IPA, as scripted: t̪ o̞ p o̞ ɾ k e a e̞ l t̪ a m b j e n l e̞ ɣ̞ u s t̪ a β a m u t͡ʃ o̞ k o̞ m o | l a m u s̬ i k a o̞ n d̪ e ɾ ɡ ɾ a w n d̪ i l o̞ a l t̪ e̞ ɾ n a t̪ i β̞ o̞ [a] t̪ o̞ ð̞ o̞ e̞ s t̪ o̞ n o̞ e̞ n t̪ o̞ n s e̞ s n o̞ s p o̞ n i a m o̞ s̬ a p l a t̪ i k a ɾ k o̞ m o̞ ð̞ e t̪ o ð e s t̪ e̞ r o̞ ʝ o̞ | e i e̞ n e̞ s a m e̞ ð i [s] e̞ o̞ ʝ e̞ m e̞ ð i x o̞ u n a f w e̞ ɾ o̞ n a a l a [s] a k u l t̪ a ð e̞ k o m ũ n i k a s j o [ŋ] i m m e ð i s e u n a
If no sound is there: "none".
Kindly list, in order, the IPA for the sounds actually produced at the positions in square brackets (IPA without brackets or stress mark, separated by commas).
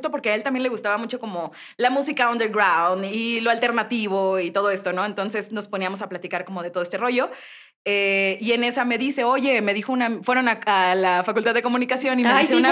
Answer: i, s, f, n